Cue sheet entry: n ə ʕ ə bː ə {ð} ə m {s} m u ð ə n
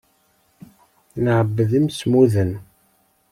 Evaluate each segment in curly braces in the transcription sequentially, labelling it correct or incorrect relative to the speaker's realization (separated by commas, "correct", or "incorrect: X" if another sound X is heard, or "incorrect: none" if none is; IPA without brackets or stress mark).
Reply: correct, correct